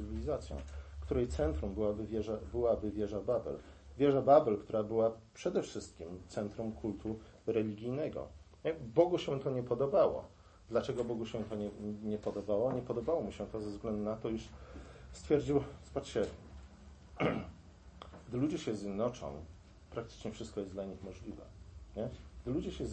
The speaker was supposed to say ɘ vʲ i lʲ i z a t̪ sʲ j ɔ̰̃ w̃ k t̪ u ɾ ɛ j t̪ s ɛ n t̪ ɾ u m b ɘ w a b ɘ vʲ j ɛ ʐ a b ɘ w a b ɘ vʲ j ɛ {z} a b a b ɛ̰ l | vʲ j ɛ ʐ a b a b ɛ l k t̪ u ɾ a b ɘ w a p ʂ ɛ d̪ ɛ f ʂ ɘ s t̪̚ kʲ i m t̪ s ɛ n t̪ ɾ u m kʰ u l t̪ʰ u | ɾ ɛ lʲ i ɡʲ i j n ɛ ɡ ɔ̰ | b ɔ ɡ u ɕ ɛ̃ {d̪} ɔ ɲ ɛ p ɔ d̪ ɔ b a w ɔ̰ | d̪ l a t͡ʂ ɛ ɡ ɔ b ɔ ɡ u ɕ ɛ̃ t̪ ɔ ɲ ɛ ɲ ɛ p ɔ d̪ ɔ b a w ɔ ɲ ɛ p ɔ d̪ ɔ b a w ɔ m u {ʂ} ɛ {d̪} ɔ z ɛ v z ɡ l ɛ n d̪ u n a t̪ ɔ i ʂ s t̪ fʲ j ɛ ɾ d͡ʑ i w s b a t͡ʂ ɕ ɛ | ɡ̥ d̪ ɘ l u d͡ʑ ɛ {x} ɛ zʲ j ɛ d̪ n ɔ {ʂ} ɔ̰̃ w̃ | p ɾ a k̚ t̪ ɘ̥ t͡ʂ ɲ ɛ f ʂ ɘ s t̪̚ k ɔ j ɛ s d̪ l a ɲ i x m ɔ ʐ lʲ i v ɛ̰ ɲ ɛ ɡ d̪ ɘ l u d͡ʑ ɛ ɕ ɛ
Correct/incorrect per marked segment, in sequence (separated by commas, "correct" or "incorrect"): incorrect, incorrect, incorrect, incorrect, incorrect, incorrect